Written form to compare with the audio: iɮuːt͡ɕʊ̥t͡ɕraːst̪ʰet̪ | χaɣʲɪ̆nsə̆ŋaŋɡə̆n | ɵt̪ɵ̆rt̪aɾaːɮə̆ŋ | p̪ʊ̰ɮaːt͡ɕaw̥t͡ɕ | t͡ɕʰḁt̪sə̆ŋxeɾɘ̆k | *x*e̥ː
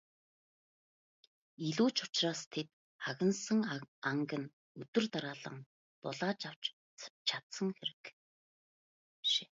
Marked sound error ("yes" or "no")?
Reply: yes